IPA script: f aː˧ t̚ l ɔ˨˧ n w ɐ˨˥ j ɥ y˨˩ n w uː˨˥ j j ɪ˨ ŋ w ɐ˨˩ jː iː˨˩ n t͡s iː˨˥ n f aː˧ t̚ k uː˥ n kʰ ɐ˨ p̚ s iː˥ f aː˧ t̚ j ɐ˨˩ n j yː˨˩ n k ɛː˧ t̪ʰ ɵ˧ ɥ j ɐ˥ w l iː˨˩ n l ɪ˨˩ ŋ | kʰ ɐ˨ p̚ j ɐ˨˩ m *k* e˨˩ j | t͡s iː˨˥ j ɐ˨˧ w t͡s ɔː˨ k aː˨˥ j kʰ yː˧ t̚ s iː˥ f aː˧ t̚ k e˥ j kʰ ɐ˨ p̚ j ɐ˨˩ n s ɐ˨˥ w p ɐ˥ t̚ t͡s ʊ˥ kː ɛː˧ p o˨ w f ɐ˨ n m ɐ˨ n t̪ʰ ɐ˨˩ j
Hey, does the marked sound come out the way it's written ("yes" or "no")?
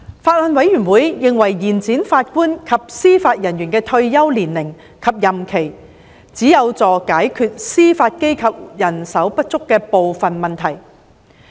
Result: no